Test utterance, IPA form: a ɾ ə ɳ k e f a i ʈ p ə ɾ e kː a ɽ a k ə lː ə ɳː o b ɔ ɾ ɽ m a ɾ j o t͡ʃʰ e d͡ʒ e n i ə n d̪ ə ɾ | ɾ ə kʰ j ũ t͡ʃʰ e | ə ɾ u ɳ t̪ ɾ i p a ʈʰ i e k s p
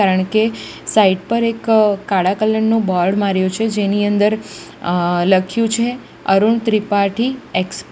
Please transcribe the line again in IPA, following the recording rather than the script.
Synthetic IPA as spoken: a ɾ ə ɳ k e s a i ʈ p ə ɾ e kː a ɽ a k ə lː ə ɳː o b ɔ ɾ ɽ m a ɾ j o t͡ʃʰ e d͡ʒ e n i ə n d̪ ə ɾ | l ə kʰ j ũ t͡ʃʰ e | ə ɾ u ɳ t̪ ɾ i p a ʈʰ i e k s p